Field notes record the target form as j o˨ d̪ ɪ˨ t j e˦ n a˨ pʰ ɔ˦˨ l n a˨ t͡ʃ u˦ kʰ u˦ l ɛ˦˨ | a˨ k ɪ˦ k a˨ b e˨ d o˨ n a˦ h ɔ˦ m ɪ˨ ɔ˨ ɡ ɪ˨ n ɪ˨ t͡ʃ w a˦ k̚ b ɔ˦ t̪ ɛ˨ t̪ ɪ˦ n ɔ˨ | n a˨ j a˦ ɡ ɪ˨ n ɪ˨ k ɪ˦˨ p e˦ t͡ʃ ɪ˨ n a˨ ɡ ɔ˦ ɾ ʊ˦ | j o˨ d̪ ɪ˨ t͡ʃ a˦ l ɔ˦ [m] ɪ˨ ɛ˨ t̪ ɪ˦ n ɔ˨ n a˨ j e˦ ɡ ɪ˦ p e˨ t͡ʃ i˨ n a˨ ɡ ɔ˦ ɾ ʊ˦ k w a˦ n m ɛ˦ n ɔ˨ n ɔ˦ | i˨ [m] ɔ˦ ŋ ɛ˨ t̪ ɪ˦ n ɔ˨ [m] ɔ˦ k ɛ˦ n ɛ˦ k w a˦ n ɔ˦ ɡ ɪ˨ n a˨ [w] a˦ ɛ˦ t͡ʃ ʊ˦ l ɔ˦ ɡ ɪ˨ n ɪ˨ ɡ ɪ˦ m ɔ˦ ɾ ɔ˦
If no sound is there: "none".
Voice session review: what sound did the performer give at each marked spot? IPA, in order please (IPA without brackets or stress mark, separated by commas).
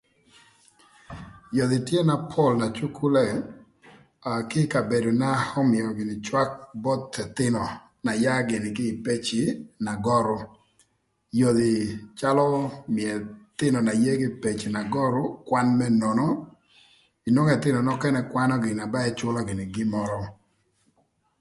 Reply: m, n, n, b